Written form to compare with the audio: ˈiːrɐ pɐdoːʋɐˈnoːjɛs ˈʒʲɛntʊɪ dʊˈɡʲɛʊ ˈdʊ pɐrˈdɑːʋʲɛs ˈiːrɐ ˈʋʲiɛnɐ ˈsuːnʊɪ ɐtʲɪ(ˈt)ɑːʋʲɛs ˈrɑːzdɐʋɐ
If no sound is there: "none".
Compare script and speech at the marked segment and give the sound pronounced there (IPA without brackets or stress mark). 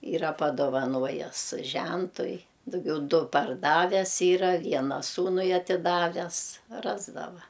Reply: d